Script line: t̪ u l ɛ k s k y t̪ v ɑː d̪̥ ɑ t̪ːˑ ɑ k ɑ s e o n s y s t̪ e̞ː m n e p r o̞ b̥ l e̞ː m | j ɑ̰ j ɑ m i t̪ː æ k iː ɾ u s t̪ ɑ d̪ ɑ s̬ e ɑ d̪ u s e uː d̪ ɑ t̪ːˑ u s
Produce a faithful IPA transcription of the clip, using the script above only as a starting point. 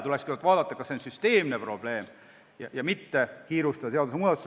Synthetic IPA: t̪ u l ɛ k s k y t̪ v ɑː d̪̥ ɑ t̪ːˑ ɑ k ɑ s e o n s y s t̪ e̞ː m n e p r o̞ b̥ l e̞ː m | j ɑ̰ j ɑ m i t̪ː e k iː ɾ u s t̪ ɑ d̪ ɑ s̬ e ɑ d̪ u s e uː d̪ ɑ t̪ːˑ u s